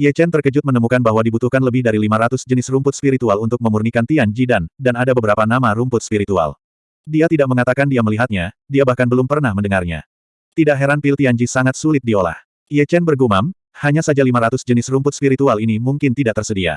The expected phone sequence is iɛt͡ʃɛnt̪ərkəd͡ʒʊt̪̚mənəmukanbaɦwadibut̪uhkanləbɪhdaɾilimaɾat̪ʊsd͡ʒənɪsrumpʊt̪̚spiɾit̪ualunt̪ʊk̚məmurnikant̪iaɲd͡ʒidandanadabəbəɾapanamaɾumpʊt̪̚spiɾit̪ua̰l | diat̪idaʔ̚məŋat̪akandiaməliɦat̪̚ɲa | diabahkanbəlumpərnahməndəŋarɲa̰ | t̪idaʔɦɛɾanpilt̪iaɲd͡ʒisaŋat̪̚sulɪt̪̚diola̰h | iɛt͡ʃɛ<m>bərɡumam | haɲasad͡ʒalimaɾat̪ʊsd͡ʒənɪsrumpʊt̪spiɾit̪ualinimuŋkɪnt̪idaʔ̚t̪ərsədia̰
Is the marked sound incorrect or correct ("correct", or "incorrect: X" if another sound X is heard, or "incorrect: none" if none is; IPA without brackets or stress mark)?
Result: incorrect: n